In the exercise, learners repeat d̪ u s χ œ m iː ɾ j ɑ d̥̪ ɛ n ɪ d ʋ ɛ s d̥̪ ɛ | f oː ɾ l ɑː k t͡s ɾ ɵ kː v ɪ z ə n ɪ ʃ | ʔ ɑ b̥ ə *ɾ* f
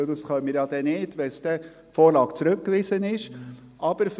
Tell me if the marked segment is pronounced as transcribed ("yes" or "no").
yes